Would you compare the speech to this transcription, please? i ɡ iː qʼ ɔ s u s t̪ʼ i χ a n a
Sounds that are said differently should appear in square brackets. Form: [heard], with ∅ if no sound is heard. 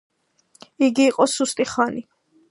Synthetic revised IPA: i ɡ iː qʼ ɔ s u s t̪ʼ i χ a n [i]